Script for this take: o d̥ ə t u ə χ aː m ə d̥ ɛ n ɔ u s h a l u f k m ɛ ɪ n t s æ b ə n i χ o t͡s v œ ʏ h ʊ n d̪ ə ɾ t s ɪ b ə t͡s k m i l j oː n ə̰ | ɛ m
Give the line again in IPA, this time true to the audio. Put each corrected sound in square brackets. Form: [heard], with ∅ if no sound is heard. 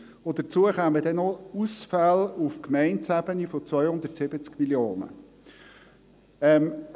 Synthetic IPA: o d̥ ə [t͡s] u ə χ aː m ə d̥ ɛ n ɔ u s [f] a l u f k m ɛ ɪ n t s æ b ə n i [f] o t͡s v œ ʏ h ʊ n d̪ ə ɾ t s ɪ b ə t͡s k m i l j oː n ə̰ | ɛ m